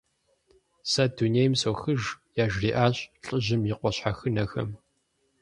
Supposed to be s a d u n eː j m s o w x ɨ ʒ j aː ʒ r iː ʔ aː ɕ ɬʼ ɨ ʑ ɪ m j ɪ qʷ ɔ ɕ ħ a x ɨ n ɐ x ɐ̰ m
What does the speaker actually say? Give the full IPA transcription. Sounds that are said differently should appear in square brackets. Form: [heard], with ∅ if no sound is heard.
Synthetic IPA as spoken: s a d u n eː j m s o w x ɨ ʒ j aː ʒ r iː ʔ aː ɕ ɬʼ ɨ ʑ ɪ m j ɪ qʷ ɔ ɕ ħ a x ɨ n ɐ x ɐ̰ m

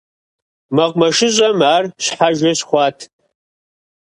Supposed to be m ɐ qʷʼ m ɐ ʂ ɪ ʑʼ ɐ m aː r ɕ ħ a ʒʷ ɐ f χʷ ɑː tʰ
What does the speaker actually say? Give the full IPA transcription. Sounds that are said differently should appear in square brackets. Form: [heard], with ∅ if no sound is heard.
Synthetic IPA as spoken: m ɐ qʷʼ m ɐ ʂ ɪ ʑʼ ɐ m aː r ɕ ħ a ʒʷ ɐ [ɕ] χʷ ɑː tʰ

